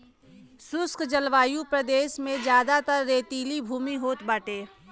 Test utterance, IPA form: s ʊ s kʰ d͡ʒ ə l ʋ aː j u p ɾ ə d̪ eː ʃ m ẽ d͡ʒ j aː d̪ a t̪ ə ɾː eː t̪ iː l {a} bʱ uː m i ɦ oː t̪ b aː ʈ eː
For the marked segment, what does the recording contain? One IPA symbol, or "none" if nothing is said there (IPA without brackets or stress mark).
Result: i